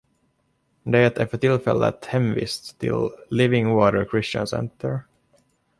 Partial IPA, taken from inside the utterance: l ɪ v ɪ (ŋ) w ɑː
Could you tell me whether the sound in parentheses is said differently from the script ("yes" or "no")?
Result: no